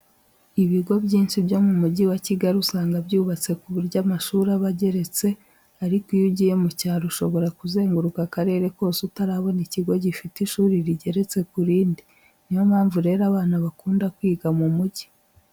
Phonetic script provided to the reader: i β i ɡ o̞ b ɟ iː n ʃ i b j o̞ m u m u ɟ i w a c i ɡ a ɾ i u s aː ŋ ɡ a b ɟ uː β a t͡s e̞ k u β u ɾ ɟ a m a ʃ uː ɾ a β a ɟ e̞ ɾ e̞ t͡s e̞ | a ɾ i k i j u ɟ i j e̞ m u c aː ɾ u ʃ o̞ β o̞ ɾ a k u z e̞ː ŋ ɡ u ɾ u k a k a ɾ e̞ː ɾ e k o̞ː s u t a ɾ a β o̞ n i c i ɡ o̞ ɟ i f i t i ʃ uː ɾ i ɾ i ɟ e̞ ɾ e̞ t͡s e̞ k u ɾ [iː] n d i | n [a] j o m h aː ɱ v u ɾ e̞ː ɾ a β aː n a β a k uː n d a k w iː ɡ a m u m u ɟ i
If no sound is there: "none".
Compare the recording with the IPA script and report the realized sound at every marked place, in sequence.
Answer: iː, i

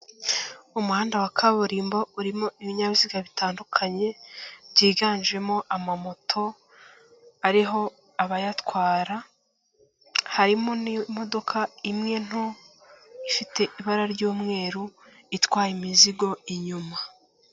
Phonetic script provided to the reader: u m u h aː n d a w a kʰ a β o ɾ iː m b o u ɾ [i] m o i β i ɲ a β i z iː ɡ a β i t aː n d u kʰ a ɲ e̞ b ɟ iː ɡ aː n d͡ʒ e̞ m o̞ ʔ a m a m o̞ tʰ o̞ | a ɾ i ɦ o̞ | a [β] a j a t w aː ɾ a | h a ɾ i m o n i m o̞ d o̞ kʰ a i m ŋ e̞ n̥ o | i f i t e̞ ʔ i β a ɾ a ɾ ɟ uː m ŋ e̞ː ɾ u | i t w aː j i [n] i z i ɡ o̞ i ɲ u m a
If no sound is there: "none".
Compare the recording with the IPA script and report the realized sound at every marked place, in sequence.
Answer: i, β, m

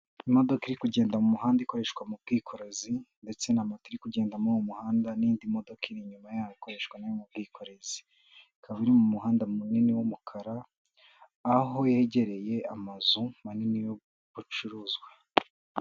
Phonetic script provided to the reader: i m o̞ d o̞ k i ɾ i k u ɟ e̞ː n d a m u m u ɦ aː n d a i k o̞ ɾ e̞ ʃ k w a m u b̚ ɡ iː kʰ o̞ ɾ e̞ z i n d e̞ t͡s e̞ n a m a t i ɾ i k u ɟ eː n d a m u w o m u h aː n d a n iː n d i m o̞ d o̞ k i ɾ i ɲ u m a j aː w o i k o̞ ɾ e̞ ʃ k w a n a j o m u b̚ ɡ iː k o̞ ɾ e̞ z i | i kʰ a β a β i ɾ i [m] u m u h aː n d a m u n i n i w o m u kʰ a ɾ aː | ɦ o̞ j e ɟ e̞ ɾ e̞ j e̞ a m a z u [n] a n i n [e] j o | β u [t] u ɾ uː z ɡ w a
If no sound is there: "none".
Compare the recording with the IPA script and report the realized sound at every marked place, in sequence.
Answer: m, m, i, t͡ʃ

